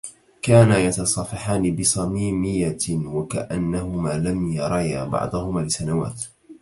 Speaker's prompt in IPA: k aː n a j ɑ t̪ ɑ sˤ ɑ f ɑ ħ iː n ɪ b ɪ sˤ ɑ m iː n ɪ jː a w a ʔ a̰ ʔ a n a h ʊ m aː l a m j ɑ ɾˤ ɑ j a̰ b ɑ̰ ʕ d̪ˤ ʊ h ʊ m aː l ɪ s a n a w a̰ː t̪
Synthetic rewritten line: k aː n a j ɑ t̪ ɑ sˤ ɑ f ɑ ħ aː n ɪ b ɪ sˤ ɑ m iː m ɪ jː a w a k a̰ ʔ a nː a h ʊ m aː l a m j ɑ ɾˤ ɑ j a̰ b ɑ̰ ʕ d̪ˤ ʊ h ʊ m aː l ɪ s a n a w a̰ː t̪